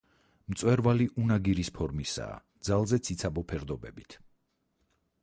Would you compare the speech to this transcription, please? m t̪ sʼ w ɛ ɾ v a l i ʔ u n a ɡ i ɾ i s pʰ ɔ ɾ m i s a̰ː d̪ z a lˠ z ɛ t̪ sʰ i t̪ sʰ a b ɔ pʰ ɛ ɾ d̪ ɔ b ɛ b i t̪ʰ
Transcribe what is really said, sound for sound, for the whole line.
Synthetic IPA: m t̪ sʼ w ɛ ɾ v a l i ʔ u n a ɡ i ɾ i s pʰ ɔ ɾ m i s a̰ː d̪ z a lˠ z ɛ t̪ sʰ i t̪ sʰ a b ɔ pʰ ɛ ɾ d̪ ɔ b ɛ b i t̪ʰ

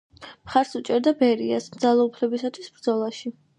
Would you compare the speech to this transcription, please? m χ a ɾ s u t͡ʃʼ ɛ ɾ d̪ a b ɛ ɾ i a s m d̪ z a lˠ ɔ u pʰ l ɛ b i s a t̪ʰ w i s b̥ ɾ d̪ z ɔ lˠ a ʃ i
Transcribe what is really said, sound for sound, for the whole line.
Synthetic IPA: m χ a ɾ s u t͡ʃʼ ɛ ɾ d̪ a b ɛ ɾ i a s m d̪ z a lˠ ɔ u pʰ l ɛ b i s a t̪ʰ w i s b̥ ɾ d̪ z ɔ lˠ a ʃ i

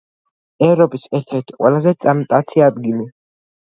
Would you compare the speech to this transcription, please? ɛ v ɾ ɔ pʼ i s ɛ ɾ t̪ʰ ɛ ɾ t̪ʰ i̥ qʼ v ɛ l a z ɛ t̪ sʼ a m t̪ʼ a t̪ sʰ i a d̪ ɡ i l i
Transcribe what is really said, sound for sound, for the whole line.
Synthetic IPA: ɛ v ɾ ɔ pʼ i s ɛ ɾ t̪ʰ ɛ ɾ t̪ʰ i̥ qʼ w ɛ l a z ɛ t̪ sʼ a m t̪ʼ a t̪ sʰ i a d̪ ɡ i l i

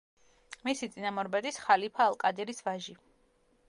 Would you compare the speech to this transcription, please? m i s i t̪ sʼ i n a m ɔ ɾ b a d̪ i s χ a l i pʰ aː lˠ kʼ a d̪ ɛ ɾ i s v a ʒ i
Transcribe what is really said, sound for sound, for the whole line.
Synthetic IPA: m i s i t̪ sʼ i n a m ɔ ɾ b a d̪ i s χ a l i pʰ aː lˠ kʼ a d̪ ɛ ɾ i s v a ʒ i

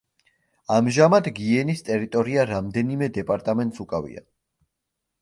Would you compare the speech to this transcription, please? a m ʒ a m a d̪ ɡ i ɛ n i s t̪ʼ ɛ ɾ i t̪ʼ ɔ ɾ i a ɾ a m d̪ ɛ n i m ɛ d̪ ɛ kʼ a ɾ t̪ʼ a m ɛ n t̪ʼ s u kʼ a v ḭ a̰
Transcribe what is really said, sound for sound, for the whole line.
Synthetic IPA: a m ʒ a m a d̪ ɡ i ɛ n i s t̪ʼ ɛ ɾ i t̪ʼ ɔ ɾ i a ɾ a m d̪ ɛ n i m ɛ d̪ ɛ pʼ a ɾ t̪ʼ a m ɛ n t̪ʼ s u kʼ a v ḭ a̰

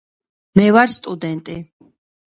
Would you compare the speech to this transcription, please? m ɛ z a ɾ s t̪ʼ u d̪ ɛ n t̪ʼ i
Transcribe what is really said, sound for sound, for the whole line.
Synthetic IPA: m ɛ v a ɾ s t̪ʼ u d̪ ɛ n t̪ʼ i

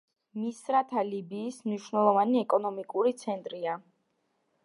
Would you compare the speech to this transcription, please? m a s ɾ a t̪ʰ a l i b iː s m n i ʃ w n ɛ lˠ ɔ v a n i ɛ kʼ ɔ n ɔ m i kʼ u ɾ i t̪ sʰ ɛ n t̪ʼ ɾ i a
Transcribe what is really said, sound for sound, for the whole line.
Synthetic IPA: m i s ɾ a t̪ʰ a l i b iː s m n i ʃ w n ɛ lˠ ɔ v a n i ɛ kʼ ɔ n ɔ m i kʼ u ɾ i t̪ sʰ ɛ n t̪ʼ ɾ i a

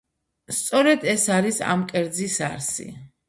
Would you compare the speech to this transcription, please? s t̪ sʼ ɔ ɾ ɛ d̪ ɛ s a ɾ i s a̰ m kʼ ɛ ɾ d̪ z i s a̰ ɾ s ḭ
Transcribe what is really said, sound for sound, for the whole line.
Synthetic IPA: s t̪ sʼ ɔ ɾ ɛ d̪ ɛ s a ɾ i s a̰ m kʼ ɛ ɾ d̪ z i s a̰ ɾ s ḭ

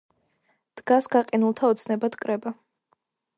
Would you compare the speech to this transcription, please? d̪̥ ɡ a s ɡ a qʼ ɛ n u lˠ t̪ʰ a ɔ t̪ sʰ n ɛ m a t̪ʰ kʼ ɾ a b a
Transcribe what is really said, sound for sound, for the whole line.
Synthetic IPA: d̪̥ ɡ a s ɡ a qʼ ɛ n u lˠ t̪ʰ a ɔ t̪ sʰ n ɛ b a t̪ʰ kʼ ɾ ɛ b a

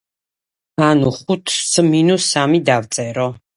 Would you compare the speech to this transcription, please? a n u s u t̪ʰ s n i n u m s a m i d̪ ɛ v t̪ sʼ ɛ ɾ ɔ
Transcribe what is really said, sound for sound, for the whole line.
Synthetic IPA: a n u χ u t̪ʰ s m i n u s a m i d̪ a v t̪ sʼ ɛ ɾ ɔ

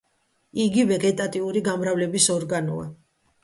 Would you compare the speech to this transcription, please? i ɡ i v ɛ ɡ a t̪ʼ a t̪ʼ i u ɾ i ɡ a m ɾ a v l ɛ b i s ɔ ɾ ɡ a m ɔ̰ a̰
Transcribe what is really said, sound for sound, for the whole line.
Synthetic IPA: i ɡ i v ɛ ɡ ɛ t̪ʼ a t̪ʼ i u ɾ i ɡ a m ɾ a v l ɛ b i s ɔ ɾ ɡ a n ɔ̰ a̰

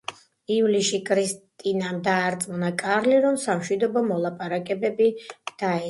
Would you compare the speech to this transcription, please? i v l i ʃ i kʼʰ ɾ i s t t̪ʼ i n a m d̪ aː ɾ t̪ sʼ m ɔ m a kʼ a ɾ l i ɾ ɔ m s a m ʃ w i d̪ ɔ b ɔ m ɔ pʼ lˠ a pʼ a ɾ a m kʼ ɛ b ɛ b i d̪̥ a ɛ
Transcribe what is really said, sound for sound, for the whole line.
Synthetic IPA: i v l i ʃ i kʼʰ ɾ i s t t̪ʼ i n a m d̪ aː ɾ t̪ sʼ m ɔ n a kʼ a ɾ l i ɾ ɔ m s a m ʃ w i d̪ ɔ b ɔ m ɔ lˠ a pʼ a ɾ a kʼ ɛ b ɛ b i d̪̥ a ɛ

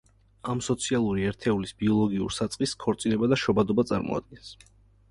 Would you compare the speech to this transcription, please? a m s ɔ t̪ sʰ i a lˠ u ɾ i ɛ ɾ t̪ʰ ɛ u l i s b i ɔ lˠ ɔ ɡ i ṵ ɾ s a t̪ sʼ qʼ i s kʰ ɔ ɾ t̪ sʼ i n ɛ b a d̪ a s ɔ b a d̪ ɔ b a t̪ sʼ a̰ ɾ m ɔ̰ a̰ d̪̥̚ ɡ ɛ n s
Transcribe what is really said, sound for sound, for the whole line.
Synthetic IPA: a m s ɔ t̪ sʰ i a lˠ u ɾ i ɛ ɾ t̪ʰ ɛ u l i s b i ɔ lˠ ɔ ɡ i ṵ ɾ s a t̪ sʼ qʼ i s kʰ ɔ ɾ t̪ sʼ i n ɛ b a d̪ a ʃ ɔ b a d̪ ɔ b a t̪ sʼ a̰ ɾ m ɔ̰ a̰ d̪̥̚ ɡ ɛ n s

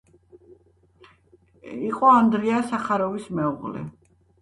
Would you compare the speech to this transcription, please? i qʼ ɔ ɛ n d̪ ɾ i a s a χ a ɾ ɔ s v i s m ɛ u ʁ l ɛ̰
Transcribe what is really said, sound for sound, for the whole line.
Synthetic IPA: i qʼ ɔ a n d̪ ɾ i a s a χ a ɾ ɔ v i s m ɛ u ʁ l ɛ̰

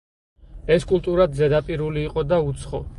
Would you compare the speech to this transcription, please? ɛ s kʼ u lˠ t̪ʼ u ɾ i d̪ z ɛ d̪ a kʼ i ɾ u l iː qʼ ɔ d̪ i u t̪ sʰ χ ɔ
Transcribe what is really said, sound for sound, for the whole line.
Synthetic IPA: ɛ s kʼ u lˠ t̪ʼ u ɾ a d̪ z ɛ d̪ a pʼ i ɾ u l iː qʼ ɔ d̪ a u t̪ sʰ χ ɔ

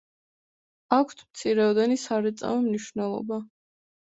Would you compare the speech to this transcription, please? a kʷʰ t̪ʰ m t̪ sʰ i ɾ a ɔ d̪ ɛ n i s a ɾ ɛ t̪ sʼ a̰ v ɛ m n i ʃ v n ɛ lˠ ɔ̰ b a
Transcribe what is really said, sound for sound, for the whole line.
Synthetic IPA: a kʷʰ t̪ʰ m t̪ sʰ i ɾ ɛ ɔ d̪ ɛ n i s a ɾ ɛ t̪ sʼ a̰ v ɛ m n i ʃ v n ɛ lˠ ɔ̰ b a

